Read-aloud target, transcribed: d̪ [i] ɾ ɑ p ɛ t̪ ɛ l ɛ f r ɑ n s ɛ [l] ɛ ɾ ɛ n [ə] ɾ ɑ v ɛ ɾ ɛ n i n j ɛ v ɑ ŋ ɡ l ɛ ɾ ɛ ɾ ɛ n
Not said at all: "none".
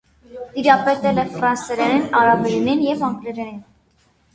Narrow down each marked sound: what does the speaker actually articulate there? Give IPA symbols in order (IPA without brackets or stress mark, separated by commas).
i, ɾ, ɑ